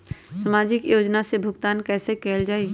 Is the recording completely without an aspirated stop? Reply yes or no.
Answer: yes